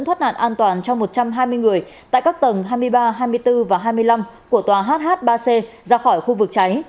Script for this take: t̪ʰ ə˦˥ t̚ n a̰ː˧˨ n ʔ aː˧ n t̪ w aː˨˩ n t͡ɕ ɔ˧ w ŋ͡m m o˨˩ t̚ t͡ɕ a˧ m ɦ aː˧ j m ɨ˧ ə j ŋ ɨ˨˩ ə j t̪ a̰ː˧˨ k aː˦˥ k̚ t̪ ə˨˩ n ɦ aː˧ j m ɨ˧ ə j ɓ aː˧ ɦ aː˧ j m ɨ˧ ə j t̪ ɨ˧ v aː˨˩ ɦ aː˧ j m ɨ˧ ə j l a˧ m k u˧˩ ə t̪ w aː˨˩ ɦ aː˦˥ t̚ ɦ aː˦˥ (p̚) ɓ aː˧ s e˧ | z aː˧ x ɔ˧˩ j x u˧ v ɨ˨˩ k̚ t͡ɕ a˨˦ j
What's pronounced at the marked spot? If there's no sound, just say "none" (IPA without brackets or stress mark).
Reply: t̚